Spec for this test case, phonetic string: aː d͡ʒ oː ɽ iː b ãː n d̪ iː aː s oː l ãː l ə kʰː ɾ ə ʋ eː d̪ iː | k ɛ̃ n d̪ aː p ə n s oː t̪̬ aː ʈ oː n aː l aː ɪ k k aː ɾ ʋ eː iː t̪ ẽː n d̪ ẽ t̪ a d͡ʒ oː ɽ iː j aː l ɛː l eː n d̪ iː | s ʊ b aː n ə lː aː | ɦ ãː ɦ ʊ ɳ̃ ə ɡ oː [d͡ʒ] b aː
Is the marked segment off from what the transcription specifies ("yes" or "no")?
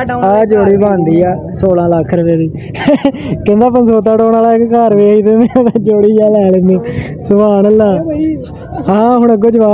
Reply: no